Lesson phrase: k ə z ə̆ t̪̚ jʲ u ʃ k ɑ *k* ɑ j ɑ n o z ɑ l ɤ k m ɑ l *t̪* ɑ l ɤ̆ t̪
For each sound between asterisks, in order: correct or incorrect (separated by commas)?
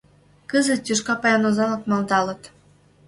incorrect, incorrect